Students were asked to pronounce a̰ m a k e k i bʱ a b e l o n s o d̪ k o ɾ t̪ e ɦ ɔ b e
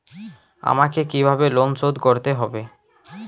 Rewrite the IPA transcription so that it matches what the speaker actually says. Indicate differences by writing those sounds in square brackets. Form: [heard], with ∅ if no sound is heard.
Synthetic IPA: a̰ m a k e k i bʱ a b e l o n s o d̪ k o ɾ t̪ e ɦ ɔ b e